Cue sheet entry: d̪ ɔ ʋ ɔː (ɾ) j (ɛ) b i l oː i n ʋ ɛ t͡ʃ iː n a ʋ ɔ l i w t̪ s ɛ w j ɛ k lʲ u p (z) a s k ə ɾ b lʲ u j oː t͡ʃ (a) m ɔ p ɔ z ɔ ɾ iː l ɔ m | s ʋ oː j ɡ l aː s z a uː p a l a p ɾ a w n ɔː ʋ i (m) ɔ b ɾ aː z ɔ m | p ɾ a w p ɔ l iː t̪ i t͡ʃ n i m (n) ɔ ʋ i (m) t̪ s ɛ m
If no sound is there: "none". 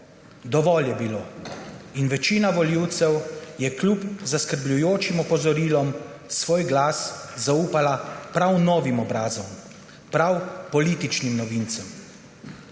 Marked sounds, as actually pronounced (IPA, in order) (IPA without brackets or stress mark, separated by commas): l, ɛ, z, i, m, n, n